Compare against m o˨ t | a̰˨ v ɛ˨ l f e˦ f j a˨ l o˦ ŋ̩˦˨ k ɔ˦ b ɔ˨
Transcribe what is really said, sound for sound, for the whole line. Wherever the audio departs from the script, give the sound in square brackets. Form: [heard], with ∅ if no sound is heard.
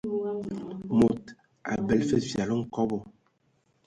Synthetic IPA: m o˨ t | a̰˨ [b] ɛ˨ l f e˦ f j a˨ l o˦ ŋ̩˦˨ k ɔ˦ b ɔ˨